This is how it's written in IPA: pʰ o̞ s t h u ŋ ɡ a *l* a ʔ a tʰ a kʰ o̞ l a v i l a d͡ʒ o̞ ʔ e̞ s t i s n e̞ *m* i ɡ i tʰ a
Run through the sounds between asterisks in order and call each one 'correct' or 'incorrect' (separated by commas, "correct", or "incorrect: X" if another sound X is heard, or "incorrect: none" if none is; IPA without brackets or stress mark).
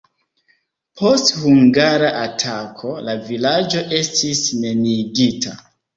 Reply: incorrect: ɾ, incorrect: n